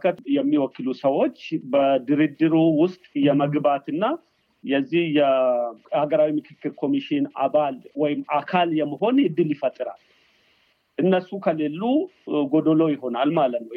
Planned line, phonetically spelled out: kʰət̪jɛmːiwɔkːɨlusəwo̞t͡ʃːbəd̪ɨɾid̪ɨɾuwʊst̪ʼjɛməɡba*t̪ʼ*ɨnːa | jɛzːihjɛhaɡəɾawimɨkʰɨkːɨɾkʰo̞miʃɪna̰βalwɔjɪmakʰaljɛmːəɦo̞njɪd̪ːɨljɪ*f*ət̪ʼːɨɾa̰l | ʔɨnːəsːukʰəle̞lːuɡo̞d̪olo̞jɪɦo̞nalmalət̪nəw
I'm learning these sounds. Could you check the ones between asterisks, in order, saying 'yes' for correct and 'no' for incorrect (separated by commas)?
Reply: no, yes